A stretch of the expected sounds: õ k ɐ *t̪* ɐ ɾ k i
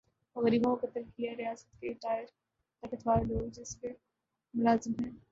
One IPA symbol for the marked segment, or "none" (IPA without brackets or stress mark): t̪